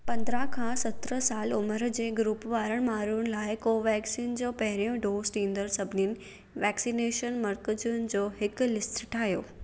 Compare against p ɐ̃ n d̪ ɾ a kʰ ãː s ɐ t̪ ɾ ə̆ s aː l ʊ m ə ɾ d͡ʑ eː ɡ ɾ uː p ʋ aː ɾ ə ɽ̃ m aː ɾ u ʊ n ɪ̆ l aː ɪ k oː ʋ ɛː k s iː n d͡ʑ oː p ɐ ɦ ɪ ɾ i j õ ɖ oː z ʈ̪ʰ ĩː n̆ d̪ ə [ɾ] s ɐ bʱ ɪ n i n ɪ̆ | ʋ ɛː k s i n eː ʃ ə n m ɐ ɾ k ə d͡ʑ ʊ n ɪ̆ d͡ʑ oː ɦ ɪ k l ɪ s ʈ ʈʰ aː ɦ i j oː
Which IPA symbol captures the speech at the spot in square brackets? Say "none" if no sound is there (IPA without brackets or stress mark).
ɾ